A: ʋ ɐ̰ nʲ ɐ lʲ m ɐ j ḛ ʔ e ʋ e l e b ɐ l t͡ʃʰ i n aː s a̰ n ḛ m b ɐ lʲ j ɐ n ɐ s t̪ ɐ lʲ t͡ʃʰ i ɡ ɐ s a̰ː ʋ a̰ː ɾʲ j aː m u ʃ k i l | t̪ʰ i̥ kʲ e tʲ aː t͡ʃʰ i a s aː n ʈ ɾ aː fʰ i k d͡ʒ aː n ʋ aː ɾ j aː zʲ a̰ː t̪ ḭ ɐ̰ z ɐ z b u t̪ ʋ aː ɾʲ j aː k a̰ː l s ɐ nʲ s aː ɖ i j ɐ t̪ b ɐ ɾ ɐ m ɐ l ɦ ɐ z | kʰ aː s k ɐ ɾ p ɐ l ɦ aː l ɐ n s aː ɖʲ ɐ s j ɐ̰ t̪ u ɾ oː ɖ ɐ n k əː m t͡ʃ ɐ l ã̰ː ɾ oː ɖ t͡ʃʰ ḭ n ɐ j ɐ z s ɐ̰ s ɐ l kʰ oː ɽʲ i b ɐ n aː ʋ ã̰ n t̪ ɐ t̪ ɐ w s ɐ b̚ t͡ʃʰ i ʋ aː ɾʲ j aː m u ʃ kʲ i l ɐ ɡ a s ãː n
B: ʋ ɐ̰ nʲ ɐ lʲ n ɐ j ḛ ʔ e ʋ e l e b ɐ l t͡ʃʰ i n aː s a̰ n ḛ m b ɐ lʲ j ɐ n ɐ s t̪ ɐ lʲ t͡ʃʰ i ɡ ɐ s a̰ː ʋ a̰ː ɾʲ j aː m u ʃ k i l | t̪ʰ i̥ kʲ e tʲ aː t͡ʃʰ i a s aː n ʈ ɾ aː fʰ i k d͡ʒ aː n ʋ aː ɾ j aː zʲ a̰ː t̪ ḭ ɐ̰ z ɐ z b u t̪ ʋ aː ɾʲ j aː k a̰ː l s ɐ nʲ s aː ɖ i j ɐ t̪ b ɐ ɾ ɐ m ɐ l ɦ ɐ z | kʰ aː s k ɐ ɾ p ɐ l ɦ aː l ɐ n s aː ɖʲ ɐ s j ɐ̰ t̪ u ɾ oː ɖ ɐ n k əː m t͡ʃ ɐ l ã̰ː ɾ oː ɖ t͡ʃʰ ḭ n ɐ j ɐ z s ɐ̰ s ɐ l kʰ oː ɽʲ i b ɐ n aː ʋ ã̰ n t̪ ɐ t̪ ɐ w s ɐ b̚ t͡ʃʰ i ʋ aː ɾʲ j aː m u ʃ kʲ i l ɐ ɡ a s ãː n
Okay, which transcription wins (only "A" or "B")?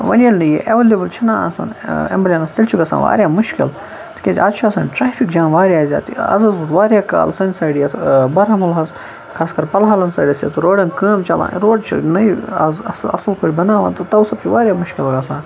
B